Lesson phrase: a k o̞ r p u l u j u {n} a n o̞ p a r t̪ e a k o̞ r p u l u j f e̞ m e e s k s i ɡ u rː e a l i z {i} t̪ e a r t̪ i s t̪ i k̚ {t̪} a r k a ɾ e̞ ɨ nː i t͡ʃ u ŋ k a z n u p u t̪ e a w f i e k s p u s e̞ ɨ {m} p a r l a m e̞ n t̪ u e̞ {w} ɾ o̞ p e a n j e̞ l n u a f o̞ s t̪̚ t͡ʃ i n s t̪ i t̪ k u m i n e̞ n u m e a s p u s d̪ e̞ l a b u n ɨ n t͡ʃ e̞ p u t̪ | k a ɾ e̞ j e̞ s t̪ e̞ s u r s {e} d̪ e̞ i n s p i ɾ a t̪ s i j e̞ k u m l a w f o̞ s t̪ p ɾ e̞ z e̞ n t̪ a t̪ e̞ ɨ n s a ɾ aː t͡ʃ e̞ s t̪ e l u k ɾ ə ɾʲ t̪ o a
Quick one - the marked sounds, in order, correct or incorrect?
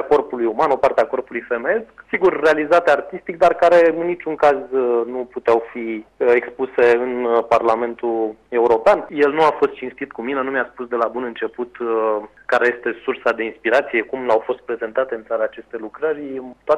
incorrect: m, incorrect: a, incorrect: d̪, incorrect: n, incorrect: u, incorrect: a

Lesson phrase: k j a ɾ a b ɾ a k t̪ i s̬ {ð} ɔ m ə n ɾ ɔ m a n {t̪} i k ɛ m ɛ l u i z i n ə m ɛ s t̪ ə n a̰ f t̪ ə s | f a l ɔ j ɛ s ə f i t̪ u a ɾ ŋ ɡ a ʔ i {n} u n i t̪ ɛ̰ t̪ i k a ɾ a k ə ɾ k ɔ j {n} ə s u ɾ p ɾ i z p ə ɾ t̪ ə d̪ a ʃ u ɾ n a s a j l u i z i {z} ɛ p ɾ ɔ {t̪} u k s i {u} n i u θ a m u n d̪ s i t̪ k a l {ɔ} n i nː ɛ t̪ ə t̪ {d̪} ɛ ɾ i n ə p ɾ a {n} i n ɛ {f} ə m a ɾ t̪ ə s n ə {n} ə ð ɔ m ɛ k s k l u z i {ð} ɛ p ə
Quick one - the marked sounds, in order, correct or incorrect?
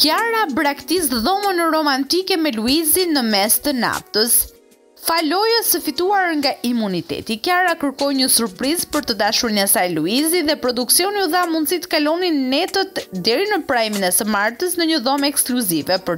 correct, correct, incorrect: m, incorrect: ɲ, incorrect: ð, incorrect: d̪, incorrect: ɔ, correct, correct, incorrect: m, incorrect: s, incorrect: ɲ, incorrect: v

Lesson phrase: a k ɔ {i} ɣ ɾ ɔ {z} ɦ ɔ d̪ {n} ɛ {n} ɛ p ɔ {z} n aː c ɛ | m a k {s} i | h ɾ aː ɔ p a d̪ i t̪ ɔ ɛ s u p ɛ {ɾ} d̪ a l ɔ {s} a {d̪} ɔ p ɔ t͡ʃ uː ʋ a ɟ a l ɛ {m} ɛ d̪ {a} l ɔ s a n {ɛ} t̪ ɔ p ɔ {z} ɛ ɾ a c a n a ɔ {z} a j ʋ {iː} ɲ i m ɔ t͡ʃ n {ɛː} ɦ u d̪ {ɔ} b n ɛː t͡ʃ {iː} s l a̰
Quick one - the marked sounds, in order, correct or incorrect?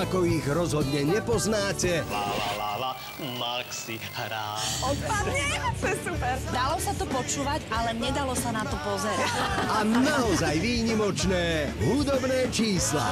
correct, correct, incorrect: ɲ, incorrect: ɲ, correct, correct, correct, correct, incorrect: t̪, incorrect: ɲ, correct, incorrect: a, correct, correct, correct, correct, correct, correct

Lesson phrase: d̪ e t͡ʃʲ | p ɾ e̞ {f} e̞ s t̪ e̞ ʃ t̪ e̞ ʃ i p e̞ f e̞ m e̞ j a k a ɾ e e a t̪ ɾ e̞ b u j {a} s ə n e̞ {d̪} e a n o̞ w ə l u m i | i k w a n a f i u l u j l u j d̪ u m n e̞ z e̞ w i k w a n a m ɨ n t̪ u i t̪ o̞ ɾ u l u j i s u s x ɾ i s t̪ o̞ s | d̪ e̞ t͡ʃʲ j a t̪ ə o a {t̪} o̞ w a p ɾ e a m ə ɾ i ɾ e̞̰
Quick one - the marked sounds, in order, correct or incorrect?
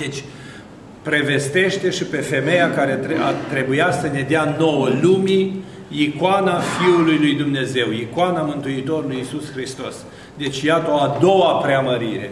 incorrect: v, correct, correct, incorrect: d̪

